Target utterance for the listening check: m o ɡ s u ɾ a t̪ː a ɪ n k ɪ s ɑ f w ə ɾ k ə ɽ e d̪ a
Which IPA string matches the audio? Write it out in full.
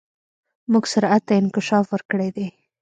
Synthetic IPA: m u ɡ s ʊ ɾ a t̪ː a ɪ n k ɪ ʃ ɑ f w ə ɾ k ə ɽ e d̪ e